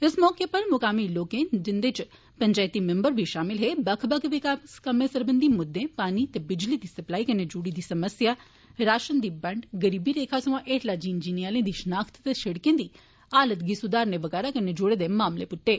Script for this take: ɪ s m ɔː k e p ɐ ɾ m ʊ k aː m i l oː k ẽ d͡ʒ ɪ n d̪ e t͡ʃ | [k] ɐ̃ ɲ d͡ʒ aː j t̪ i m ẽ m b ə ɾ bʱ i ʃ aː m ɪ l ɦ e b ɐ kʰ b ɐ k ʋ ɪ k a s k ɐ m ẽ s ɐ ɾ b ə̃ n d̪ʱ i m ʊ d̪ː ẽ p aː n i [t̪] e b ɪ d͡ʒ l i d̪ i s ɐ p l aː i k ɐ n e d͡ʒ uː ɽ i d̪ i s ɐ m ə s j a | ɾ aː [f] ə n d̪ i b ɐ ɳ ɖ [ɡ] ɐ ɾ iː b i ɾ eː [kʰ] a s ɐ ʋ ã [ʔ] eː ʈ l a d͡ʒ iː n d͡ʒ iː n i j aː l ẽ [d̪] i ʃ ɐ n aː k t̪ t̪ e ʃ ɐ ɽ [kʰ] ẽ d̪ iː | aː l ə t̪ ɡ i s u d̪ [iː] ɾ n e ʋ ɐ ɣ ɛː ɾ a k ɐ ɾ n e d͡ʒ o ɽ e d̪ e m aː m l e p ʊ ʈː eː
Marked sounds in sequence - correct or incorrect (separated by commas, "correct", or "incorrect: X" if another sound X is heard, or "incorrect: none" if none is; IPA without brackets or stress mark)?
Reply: incorrect: p, correct, incorrect: ʃ, correct, correct, correct, correct, incorrect: k, incorrect: aː